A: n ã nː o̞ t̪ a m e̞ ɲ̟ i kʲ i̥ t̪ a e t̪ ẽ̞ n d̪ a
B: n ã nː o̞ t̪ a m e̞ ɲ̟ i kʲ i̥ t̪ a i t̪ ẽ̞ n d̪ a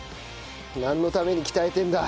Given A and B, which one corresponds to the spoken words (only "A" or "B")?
A